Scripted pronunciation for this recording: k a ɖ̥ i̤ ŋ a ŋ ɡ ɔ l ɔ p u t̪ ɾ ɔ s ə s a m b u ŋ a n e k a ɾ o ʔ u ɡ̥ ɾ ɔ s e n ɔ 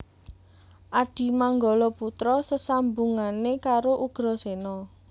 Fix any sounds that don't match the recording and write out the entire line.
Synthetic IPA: ʔ a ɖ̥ i̤ m a ŋ ɡ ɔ l ɔ p u t̪ ɾ ɔ s ə s a m b u ŋ a n e k a ɾ o ʔ u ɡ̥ ɾ ɔ s e n ɔ